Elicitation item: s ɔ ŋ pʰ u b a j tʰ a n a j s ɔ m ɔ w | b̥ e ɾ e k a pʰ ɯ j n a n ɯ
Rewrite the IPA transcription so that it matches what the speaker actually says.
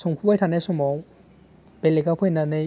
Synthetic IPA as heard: s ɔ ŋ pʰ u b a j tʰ a n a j s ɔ m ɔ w | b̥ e l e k a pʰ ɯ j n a n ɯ